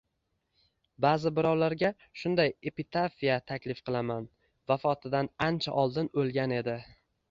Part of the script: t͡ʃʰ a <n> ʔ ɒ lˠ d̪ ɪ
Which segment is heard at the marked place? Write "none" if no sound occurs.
none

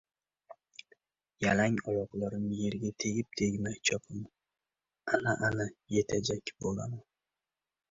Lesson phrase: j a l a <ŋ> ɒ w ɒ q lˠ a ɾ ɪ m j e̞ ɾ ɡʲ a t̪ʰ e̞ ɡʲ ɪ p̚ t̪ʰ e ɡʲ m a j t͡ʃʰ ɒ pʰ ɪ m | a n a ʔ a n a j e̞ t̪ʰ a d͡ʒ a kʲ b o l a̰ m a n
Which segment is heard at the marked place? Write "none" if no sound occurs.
ŋ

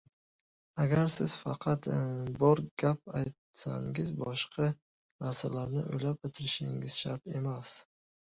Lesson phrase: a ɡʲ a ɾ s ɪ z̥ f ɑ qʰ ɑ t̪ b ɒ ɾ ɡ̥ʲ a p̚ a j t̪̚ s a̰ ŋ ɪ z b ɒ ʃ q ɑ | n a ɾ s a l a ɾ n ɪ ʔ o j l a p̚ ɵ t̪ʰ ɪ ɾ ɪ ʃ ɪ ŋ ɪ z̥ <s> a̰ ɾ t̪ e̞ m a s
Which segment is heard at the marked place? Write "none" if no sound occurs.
ʃ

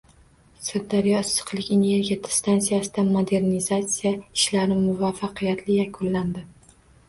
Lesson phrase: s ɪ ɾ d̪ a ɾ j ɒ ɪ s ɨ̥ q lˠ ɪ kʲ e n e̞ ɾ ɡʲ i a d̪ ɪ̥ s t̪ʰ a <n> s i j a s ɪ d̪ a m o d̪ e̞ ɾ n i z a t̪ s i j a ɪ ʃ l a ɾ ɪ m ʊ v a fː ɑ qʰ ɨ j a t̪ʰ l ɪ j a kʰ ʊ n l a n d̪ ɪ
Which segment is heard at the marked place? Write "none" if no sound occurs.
n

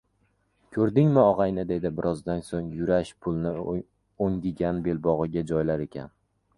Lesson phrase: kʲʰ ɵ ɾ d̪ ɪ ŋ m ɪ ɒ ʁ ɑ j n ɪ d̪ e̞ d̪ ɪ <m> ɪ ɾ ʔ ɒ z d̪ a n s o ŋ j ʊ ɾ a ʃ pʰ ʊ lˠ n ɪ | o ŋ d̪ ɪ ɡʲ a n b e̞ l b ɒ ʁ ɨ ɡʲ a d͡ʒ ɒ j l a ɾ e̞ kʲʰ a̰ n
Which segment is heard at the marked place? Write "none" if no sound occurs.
b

